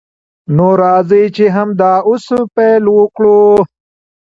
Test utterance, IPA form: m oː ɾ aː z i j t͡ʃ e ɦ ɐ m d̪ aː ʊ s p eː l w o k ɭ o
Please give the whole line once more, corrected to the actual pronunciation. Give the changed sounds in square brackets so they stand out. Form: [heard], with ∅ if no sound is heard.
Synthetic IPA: [n] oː ɾ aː z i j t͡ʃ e ɦ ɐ m d̪ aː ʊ s p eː l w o k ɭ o